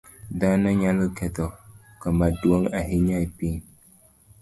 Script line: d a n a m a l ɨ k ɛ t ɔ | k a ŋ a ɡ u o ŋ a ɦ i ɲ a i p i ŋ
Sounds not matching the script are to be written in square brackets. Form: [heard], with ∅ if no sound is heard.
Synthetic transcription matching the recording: d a n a [ɲ] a l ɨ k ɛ t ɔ | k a [m] a [d] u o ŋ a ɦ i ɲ a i p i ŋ